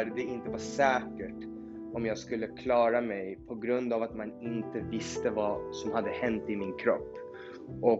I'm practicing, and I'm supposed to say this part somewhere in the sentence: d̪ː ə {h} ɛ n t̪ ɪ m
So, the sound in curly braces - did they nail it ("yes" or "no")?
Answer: yes